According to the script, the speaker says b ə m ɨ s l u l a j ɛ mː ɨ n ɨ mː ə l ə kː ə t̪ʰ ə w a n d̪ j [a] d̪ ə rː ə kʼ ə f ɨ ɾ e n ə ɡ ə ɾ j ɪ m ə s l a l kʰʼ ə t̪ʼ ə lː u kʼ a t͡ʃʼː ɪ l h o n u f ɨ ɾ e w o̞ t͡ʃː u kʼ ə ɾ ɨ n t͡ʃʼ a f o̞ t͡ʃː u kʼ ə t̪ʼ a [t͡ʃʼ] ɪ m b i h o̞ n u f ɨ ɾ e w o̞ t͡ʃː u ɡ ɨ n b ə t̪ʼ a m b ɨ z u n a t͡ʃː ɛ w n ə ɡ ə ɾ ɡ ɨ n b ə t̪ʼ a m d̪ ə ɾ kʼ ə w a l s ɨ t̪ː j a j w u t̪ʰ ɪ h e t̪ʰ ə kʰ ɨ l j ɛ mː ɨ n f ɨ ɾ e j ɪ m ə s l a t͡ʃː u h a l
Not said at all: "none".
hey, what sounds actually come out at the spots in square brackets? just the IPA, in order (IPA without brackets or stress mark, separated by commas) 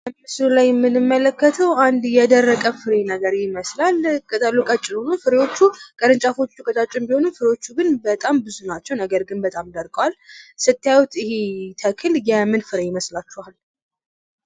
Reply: ɛ, t͡ʃʼ